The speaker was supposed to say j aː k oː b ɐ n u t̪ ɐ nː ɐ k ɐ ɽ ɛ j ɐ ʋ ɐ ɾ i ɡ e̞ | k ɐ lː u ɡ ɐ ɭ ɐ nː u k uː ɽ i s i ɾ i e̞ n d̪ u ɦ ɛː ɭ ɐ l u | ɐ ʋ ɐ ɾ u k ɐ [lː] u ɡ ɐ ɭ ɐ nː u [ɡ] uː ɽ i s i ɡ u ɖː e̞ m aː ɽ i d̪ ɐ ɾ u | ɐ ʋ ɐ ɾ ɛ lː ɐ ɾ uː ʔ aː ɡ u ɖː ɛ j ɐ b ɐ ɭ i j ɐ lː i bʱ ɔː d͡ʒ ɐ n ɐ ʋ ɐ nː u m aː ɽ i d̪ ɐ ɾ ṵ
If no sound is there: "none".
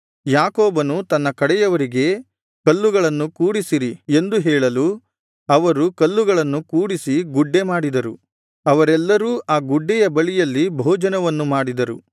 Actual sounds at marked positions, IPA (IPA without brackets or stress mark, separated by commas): lː, k